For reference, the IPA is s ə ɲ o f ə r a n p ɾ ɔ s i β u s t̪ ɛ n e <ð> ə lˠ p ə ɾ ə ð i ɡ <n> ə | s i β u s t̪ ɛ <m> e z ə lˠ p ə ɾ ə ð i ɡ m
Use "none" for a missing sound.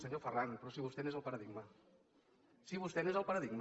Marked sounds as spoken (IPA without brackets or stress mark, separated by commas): z, m, n